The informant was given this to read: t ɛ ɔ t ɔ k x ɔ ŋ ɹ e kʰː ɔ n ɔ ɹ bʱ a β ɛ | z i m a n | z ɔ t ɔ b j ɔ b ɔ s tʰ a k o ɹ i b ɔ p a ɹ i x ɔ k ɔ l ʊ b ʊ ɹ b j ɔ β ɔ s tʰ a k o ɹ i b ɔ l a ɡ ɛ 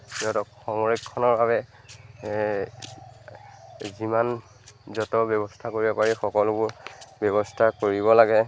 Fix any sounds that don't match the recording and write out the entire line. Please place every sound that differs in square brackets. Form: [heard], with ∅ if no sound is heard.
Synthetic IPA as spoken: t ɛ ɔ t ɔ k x ɔ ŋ ɹ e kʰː ɔ n ɔ ɹ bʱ a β ɛ | z i m a n | z ɔ t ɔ b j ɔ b ɔ s tʰ a k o ɹ i b ɔ p a ɹ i x ɔ k ɔ l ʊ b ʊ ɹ b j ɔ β ɔ s tʰ a k o ɹ i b ɔ l a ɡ ɛ